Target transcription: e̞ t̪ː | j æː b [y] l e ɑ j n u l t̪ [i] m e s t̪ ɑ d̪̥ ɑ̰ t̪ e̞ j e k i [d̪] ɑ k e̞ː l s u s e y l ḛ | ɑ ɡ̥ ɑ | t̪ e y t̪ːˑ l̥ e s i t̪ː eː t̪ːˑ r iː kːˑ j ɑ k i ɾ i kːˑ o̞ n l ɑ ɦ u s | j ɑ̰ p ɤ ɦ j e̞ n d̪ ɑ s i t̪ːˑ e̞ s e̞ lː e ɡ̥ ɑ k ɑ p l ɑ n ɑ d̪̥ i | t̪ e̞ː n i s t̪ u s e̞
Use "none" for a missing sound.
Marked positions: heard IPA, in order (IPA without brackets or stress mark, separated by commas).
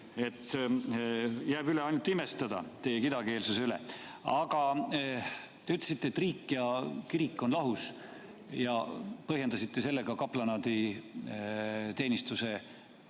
y, i, d̪